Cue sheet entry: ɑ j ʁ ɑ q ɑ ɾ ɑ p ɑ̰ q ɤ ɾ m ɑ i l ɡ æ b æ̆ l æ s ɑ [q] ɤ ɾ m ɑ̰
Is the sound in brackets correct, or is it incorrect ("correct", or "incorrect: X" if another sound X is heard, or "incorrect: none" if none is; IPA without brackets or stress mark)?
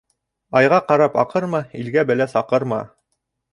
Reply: correct